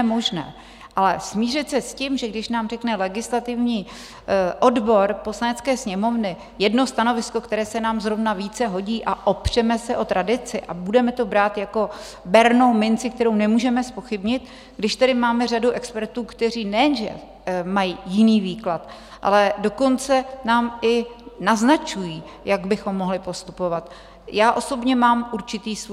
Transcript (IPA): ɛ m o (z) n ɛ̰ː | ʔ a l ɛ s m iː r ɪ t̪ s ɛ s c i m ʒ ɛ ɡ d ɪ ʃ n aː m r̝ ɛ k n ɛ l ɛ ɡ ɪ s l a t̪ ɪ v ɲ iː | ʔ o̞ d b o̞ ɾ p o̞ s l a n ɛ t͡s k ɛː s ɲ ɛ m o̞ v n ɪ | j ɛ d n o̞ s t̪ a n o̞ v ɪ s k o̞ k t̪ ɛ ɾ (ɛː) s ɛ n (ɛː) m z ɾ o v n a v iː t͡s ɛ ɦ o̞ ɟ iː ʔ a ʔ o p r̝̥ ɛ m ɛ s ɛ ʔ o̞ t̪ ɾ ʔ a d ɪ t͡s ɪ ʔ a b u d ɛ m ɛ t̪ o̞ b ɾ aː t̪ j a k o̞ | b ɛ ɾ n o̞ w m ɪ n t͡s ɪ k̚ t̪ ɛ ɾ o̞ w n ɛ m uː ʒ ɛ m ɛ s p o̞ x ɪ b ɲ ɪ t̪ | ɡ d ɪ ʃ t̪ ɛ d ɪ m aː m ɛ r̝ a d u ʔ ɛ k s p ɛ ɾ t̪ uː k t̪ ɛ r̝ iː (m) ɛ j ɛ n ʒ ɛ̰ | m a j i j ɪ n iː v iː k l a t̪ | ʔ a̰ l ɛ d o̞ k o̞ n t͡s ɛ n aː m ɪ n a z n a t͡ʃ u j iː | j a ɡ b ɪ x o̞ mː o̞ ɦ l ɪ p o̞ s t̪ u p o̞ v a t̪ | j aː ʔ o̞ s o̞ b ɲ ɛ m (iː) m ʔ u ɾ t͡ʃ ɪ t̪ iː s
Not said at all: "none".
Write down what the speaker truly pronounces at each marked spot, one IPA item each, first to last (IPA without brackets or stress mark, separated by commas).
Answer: ʒ, ɛː, aː, n, aː